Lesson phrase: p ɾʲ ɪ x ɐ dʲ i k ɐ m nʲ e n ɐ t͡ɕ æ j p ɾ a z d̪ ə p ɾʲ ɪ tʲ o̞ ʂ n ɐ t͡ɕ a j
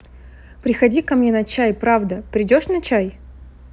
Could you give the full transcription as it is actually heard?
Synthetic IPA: p ɾʲ ɪ x ɐ dʲ i k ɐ m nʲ e n ɐ t͡ɕ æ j p ɾ a v d̪ ə p ɾʲ ɪ dʲ o̞ ʂ n ɐ t͡ɕ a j